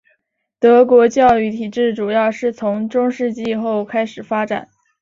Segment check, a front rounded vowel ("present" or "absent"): present